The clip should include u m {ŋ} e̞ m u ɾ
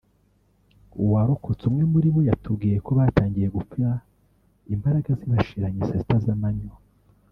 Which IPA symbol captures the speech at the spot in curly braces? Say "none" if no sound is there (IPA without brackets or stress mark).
ŋ